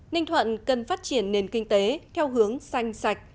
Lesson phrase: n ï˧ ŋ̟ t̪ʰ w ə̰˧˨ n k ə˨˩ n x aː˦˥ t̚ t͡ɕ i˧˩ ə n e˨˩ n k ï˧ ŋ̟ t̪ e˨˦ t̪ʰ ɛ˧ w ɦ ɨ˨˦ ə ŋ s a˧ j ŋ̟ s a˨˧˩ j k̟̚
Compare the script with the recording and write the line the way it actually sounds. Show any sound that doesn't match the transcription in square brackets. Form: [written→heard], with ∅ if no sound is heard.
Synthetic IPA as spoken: n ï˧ ŋ̟ t̪ʰ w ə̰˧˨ n k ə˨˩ n [x→f] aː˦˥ t̚ t͡ɕ i˧˩ ə [n→nː] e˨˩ n k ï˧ ŋ̟ t̪ e˨˦ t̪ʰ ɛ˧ w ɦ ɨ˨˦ ə ŋ s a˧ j ŋ̟ s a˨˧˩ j k̟̚

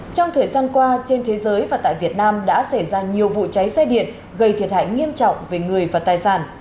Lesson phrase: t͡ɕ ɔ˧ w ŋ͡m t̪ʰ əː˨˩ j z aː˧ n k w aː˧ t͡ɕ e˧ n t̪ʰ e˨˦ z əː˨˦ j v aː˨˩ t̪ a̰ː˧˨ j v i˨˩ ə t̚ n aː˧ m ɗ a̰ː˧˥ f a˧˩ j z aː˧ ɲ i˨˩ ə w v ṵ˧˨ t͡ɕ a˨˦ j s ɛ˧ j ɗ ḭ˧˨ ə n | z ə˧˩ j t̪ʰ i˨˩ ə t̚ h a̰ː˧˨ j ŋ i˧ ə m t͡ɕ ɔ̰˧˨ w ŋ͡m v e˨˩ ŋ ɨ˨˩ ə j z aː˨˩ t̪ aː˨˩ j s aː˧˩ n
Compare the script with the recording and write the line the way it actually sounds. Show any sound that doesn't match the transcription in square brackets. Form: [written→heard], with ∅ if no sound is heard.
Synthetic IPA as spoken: t͡ɕ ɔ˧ w ŋ͡m t̪ʰ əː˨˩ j z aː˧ n k w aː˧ t͡ɕ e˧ n t̪ʰ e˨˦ z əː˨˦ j v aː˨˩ t̪ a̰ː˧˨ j v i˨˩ ə t̚ n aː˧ m ɗ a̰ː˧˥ [f→s] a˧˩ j z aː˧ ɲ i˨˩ ə w v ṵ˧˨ t͡ɕ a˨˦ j s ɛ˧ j ɗ ḭ˧˨ ə n | [z→ɣ] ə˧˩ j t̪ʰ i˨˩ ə t̚ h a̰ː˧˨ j ŋ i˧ ə m t͡ɕ ɔ̰˧˨ w ŋ͡m v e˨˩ ŋ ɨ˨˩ ə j [z→v] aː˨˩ t̪ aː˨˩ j s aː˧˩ n

